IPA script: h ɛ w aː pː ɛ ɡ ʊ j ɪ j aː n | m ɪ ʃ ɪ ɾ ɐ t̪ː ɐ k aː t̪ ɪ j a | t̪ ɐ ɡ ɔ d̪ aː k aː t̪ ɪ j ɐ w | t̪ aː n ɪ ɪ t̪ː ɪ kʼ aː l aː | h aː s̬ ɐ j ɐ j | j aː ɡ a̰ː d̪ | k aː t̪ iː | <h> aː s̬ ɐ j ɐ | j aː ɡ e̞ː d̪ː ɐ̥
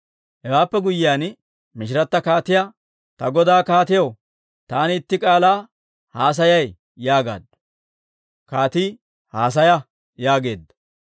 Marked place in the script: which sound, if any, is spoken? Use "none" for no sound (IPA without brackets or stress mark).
h